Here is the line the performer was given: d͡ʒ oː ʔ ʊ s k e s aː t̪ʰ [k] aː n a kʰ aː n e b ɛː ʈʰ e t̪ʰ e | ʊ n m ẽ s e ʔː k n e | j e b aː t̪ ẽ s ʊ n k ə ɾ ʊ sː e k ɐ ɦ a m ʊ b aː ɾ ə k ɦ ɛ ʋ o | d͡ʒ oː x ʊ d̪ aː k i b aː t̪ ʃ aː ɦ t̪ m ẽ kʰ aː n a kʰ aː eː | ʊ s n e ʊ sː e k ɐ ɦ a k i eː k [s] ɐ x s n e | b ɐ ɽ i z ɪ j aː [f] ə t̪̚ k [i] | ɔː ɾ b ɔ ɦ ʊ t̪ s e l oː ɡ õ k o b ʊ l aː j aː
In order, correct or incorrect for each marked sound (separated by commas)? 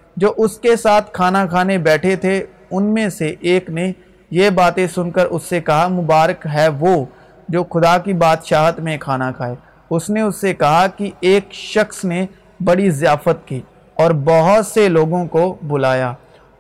incorrect, incorrect, correct, incorrect